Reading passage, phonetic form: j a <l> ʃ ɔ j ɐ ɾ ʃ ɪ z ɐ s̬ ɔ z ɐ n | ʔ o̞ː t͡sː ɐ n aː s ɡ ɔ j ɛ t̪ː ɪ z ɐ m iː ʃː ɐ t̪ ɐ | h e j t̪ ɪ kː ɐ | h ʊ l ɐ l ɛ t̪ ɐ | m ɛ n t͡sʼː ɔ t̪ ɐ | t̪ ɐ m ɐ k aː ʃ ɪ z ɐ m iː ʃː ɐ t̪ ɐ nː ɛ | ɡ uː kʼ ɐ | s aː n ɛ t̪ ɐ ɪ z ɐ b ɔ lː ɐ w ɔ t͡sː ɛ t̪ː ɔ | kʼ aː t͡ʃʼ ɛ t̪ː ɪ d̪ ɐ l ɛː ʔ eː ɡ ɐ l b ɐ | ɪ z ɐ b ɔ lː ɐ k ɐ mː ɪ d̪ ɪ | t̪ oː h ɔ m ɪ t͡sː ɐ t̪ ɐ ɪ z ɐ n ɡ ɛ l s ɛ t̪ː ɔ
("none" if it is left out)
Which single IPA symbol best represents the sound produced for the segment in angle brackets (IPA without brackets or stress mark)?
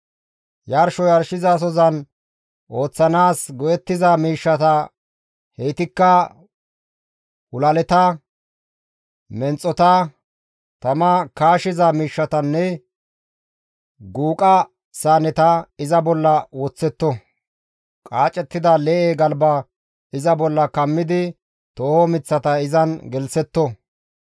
ɾ